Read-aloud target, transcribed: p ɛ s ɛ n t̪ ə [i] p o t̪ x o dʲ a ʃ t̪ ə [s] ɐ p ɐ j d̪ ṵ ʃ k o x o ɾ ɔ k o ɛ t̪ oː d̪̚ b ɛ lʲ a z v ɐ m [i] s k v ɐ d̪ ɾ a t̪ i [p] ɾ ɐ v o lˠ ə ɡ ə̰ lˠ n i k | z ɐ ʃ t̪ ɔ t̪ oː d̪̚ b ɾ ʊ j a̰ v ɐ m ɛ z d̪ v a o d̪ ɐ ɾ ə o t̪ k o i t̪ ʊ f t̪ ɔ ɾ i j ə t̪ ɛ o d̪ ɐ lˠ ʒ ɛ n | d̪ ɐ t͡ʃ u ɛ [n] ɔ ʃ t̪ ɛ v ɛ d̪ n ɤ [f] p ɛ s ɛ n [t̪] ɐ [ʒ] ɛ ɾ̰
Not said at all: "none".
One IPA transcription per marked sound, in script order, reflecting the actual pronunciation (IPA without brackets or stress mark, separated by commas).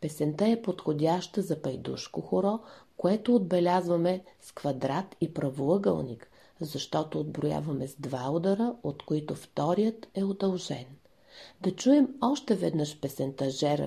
ɛ, z, ɛ, p, m, ʃ, t̪, ʒ